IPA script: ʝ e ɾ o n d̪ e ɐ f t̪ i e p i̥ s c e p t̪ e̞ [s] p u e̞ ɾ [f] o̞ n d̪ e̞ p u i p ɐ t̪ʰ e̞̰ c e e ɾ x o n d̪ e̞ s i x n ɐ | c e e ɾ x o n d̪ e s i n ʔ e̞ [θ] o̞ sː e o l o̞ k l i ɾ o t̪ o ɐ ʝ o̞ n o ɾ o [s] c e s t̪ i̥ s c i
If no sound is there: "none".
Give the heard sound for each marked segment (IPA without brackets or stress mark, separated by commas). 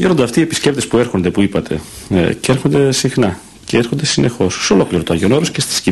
s, x, x, s